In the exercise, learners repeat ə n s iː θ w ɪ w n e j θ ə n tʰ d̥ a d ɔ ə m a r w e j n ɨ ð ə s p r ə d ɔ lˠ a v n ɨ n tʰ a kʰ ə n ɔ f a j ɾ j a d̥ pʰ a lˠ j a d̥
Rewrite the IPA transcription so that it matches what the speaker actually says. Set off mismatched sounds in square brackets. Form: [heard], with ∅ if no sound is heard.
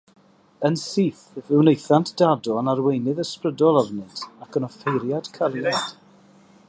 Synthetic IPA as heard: ə n s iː θ [v] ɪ w n e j θ [a] n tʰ d̥ a d ɔ ə [n] a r w e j n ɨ ð ə s p r ə d ɔ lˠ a v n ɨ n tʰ a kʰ ə n ɔ f [e] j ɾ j a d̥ [kʰ] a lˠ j a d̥